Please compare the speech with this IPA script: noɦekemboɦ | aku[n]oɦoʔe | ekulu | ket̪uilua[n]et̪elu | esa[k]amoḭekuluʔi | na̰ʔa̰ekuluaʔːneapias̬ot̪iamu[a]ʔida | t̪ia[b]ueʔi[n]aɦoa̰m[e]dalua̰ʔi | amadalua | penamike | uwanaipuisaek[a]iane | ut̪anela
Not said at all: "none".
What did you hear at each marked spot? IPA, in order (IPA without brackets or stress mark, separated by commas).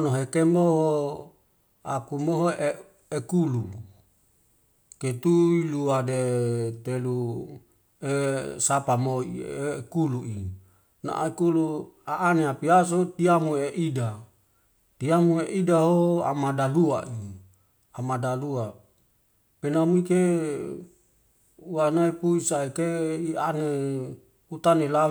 m, d, p, e, m, d, a, e